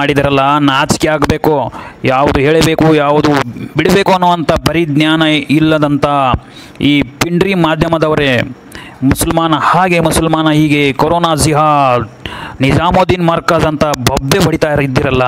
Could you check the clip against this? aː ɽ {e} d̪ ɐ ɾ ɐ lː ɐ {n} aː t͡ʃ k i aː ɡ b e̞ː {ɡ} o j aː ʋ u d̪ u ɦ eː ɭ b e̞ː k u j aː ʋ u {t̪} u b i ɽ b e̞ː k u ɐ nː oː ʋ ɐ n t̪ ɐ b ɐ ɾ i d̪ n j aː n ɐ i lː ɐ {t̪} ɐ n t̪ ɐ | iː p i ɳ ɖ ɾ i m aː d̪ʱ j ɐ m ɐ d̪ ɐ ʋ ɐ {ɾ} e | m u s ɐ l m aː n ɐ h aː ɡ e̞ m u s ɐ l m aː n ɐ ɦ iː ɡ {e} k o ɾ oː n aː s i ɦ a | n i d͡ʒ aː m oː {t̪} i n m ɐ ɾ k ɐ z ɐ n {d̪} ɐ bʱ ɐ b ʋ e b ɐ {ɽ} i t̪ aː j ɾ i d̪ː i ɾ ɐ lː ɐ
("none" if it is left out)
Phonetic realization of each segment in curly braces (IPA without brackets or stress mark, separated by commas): i, n, k, d̪, d̪, ɾ, e, d̪, t̪, ɽ